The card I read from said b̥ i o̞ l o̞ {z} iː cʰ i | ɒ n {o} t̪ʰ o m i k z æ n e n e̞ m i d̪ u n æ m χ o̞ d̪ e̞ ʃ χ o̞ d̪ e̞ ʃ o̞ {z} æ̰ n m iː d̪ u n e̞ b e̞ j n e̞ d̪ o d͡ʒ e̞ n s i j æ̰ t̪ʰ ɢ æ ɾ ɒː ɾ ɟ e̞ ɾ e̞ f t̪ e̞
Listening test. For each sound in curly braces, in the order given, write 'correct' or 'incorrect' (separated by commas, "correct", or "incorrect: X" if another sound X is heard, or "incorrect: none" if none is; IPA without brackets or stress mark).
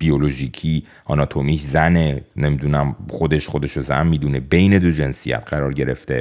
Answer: incorrect: ʒ, incorrect: ɒ, correct